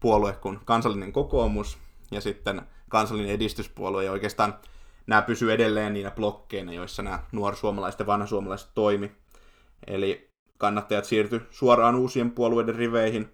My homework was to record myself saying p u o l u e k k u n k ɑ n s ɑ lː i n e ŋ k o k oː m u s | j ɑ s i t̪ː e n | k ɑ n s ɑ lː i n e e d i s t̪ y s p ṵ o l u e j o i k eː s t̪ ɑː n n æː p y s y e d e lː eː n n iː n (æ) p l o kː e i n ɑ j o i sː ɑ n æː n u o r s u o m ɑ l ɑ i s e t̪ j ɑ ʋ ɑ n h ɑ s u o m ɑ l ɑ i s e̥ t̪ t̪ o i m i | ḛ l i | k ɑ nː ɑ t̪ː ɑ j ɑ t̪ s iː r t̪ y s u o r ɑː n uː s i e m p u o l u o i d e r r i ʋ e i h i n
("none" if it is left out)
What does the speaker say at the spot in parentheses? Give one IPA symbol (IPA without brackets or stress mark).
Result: æ